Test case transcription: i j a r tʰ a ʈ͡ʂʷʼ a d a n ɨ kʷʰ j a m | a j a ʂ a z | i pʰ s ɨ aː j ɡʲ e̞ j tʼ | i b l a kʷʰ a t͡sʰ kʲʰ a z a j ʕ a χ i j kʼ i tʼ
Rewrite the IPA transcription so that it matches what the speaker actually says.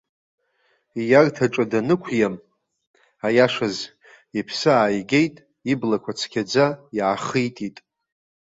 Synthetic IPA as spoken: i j a r tʰ a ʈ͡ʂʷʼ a d a n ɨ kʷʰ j a m | a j a ʂ a z | i pʰ s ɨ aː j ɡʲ e̞ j tʼ | i b l a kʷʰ a t͡sʰ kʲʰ a d͡z a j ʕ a χ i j tʼ i tʼ